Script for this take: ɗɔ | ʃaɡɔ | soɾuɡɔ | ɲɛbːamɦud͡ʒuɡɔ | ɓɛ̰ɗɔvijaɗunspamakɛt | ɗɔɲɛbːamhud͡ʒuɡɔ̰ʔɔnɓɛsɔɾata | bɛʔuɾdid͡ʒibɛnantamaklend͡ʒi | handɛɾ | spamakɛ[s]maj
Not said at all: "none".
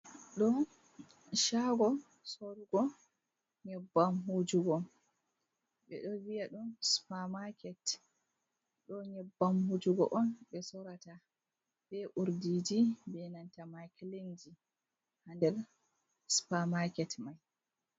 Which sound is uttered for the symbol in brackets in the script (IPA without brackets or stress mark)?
t